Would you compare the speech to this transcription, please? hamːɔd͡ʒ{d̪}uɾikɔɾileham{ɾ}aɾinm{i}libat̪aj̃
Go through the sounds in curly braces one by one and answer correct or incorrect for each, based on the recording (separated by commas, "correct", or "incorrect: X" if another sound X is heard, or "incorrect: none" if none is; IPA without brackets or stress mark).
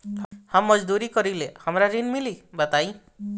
correct, correct, correct